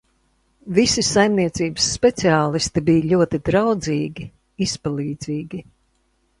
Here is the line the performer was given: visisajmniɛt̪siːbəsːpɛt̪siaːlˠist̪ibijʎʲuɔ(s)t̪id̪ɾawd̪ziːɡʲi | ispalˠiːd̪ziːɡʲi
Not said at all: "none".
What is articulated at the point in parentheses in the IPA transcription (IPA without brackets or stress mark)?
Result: none